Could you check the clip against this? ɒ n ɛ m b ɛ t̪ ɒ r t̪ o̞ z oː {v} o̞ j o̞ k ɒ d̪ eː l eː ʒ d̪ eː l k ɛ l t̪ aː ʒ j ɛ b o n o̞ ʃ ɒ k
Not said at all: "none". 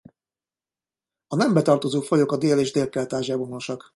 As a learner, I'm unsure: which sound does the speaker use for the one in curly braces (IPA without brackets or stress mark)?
f